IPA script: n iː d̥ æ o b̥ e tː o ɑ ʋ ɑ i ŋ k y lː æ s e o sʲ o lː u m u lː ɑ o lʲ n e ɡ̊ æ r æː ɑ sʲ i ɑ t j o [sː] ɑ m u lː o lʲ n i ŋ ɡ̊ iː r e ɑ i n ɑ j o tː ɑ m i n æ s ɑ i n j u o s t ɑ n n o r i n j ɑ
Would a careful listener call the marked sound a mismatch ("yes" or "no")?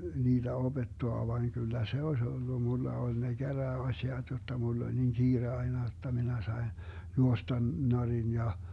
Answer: yes